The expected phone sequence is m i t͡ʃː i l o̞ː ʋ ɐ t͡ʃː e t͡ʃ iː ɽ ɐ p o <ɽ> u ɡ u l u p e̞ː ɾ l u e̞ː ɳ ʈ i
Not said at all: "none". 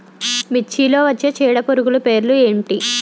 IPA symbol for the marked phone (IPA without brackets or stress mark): ɾ